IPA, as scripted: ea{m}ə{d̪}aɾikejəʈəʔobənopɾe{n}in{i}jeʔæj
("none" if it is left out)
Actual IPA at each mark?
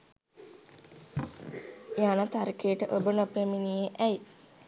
n, t̪, m, i

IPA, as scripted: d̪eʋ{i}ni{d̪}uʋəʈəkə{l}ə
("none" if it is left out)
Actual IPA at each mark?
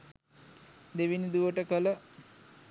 i, d̪, l

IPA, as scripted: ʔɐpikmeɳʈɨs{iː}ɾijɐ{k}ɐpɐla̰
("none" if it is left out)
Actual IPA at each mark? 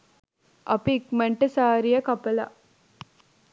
aː, k

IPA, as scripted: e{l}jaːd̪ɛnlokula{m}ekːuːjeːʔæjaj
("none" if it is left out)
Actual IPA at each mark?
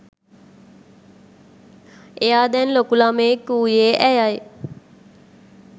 none, m

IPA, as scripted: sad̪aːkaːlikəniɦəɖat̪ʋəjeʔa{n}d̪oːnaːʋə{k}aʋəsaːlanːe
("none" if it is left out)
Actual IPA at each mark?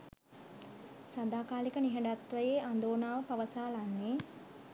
n, p

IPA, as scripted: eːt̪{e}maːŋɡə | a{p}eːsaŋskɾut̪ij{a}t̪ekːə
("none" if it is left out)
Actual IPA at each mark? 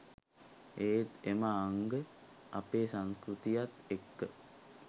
e, p, a

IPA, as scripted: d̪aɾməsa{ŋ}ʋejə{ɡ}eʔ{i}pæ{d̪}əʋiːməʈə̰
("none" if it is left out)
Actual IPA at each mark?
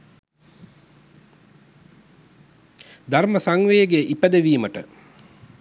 ŋ, ɡ, i, d̪

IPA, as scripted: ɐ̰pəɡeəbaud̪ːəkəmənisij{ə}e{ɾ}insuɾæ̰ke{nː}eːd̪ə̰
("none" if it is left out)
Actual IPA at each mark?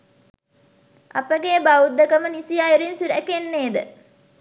a, ɾ, nː

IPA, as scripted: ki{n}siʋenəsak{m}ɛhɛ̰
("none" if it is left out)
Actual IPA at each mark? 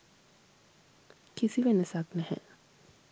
none, n

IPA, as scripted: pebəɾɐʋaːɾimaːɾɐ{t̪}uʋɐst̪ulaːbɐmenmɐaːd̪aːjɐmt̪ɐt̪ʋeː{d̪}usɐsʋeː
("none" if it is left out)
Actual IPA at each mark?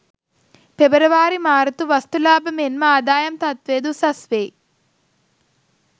t̪, d̪

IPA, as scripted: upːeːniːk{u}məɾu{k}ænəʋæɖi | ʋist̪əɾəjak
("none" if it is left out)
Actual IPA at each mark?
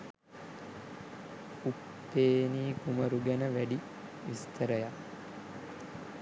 u, ɡ

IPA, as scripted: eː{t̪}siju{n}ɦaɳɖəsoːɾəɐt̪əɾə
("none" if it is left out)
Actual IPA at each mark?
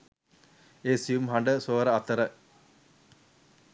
none, m

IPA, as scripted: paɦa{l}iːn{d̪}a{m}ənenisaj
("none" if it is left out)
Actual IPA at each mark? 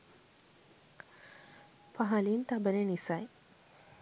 l, t̪, b

